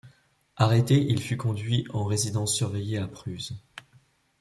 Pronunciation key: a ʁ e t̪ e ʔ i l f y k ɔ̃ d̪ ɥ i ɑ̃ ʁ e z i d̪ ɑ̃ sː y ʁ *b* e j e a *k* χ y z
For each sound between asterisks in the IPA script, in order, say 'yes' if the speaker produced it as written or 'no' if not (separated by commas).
no, no